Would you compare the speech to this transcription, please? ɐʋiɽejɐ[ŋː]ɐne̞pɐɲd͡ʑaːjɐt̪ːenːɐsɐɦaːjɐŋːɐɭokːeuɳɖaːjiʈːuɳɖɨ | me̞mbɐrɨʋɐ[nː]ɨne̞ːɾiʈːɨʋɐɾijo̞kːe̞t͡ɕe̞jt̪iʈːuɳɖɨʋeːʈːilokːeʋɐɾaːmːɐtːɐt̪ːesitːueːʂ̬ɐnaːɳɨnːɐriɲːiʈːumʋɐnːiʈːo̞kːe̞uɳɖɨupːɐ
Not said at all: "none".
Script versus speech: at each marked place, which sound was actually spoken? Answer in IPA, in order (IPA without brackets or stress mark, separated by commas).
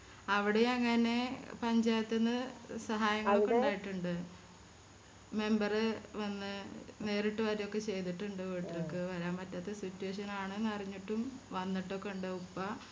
ŋː, nː